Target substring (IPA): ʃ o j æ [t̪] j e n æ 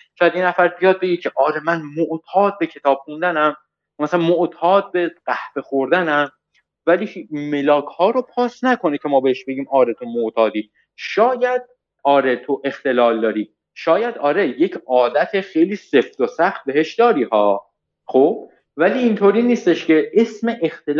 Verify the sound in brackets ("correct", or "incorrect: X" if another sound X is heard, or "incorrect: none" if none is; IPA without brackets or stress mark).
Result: incorrect: d̪